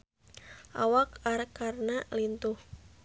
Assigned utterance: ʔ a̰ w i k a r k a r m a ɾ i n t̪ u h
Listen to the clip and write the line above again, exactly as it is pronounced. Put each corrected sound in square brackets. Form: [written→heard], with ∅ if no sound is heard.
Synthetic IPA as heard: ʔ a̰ w [i→a] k a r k a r [m→n] a [ɾ→l] i n t̪ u h